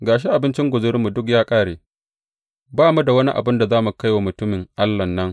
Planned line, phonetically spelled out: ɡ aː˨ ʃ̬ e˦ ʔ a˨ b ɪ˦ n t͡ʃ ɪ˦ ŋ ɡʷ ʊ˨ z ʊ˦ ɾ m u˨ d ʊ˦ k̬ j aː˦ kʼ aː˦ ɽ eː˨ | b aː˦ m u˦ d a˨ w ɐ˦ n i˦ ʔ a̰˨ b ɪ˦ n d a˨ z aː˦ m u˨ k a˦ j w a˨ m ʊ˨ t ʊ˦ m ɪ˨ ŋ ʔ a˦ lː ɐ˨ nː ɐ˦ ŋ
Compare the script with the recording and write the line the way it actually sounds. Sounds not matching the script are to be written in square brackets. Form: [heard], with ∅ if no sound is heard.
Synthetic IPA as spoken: ɡ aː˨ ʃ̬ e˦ ʔ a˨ b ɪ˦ n t͡ʃ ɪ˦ ŋ ɡʷ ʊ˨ z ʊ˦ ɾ m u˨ d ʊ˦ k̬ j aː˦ kʼ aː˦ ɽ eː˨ | b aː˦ m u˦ d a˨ w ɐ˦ n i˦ ʔ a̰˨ b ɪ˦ n d a˨ z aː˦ m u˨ k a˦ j w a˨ m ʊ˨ t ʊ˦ m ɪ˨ ŋ ʔ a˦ lː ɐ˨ nː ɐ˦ ŋ

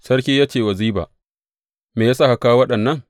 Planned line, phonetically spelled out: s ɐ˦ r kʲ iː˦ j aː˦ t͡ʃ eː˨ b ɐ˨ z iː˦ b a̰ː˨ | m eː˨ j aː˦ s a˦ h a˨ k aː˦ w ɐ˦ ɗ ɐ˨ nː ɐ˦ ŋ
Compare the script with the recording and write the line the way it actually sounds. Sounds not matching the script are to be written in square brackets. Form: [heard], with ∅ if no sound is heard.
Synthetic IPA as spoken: s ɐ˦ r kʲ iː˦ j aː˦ t͡ʃ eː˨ [w] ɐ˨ z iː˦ b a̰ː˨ | m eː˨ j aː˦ s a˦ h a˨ k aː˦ w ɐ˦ ɗ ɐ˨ nː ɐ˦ ŋ

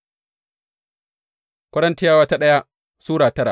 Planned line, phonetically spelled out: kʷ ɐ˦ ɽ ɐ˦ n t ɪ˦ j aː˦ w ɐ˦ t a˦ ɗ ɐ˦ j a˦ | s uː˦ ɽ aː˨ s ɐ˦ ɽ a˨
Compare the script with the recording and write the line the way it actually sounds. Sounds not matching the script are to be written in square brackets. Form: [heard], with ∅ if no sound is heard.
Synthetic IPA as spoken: kʷ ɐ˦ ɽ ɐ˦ n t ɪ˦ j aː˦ w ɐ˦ t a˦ ɗ ɐ˦ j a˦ | s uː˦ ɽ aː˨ [t] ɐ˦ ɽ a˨

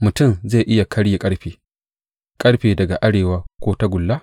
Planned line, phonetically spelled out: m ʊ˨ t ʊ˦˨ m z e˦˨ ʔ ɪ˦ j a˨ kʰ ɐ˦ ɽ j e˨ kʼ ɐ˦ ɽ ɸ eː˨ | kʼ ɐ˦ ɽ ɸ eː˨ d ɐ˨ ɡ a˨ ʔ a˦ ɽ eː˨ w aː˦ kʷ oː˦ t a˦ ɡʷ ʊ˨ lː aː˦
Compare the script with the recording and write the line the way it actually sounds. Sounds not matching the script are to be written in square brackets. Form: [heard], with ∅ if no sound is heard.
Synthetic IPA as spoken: m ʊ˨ t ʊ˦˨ m z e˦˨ ʔ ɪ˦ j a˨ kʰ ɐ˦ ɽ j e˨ kʼ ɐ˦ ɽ ɸ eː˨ | kʼ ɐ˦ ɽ ɸ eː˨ d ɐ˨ ɡ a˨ ʔ a˦ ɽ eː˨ w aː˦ kʷ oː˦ t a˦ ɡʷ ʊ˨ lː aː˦

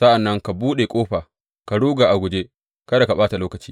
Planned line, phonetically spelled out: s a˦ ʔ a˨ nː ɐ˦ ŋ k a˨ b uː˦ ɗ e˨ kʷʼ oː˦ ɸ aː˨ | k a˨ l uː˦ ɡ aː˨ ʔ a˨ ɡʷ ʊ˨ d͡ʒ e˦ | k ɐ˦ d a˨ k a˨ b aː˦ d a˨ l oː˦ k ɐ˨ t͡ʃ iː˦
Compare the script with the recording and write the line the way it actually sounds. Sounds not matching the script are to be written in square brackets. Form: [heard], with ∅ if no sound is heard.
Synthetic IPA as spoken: s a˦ ʔ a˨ nː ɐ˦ ŋ k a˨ b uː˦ ɗ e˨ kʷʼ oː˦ ɸ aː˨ | k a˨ [ɽ] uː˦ ɡ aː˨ ʔ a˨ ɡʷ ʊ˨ d͡ʒ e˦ | k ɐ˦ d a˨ k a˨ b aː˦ [t] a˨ l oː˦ k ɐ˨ t͡ʃ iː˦

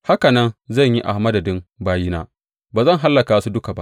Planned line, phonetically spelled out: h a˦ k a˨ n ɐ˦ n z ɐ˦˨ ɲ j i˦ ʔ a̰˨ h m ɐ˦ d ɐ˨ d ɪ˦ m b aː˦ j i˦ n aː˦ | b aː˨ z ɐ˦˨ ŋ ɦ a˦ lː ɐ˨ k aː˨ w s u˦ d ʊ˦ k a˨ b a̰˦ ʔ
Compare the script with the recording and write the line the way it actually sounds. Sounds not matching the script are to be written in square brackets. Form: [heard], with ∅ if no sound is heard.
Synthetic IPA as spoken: h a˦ k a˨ n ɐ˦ n z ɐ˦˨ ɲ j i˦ ʔ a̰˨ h m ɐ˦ d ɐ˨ d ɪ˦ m b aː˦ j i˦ n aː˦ | b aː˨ z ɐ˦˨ ŋ ɦ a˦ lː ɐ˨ k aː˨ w s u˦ d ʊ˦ k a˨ b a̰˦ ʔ

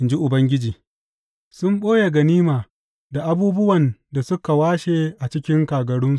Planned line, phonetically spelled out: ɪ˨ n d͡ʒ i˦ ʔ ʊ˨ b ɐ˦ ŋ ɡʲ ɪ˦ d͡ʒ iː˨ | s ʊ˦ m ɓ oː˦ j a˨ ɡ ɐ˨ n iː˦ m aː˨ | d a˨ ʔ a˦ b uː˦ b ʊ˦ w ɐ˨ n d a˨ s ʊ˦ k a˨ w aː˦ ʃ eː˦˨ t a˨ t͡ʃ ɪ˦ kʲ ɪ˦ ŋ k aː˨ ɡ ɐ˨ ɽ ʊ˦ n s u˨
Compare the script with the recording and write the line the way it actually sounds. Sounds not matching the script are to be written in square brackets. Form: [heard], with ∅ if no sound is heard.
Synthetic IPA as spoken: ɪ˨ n d͡ʒ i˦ ʔ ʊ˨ b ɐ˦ ŋ ɡʲ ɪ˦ d͡ʒ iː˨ | s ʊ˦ m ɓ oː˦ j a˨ ɡ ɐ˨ n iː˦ m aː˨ | d a˨ ʔ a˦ b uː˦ b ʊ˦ w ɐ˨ n d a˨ s ʊ˦ k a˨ w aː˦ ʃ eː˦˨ [ʔ] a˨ t͡ʃ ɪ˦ kʲ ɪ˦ ŋ k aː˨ ɡ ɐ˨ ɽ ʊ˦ n s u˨

